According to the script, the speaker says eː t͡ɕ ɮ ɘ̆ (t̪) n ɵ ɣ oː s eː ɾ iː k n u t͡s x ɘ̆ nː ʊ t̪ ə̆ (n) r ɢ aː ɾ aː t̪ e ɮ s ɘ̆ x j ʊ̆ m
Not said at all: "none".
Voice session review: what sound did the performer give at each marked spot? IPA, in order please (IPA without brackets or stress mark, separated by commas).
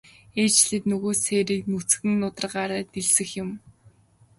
t̪, none